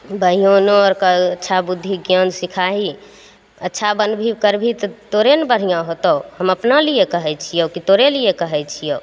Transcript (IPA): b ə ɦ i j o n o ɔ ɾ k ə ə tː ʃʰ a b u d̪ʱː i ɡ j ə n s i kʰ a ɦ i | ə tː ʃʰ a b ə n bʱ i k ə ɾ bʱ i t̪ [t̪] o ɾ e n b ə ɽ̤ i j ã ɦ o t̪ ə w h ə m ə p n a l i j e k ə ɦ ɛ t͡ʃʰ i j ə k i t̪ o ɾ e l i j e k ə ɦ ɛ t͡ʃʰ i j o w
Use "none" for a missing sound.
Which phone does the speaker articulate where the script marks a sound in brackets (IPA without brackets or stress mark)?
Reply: t̪